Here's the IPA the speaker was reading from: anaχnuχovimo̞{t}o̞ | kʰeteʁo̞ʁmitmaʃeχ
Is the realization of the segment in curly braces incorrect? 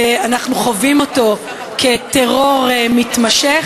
no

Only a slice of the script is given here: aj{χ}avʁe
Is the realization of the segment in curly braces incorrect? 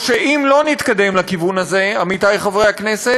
no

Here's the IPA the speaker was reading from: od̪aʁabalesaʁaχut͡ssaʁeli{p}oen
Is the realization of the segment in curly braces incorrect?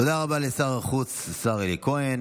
yes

